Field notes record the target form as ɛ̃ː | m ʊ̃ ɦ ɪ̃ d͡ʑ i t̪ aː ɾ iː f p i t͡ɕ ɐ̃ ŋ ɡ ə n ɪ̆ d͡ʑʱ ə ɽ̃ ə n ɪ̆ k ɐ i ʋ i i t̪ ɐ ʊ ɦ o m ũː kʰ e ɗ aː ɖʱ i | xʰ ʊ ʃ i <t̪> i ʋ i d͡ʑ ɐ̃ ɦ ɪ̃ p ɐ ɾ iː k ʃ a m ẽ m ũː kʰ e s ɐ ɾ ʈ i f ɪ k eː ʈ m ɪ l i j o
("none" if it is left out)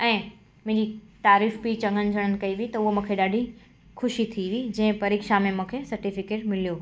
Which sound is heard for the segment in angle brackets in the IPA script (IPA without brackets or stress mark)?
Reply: t̪ʰ